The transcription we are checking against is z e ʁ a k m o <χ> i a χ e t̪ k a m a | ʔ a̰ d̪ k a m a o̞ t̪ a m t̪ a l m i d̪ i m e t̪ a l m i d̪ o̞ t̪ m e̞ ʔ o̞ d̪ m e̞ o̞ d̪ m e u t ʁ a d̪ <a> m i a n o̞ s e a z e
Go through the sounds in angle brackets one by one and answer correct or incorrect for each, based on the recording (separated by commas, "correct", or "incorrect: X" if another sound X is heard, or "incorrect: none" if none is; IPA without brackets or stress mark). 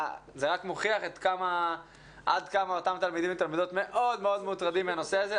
correct, incorrect: i